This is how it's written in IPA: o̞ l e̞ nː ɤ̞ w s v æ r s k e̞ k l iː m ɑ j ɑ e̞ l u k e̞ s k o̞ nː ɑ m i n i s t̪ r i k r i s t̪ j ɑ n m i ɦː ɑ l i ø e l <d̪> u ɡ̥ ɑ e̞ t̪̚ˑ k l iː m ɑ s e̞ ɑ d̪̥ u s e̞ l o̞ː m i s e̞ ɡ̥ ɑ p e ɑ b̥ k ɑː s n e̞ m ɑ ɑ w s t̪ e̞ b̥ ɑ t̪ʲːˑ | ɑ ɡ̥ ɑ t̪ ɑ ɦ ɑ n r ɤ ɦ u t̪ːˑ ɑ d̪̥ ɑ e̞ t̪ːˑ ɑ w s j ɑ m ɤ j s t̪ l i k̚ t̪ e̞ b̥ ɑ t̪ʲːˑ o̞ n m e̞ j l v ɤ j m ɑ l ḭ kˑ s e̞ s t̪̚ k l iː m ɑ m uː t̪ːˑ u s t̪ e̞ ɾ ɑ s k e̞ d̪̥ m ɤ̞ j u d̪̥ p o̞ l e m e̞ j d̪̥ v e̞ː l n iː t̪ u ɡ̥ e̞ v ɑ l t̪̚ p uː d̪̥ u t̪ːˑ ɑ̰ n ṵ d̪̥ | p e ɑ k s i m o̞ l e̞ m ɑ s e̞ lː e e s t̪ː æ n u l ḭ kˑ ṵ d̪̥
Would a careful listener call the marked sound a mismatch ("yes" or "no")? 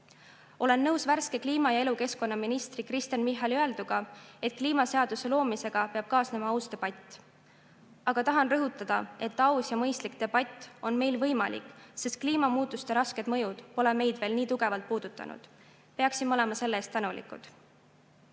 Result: no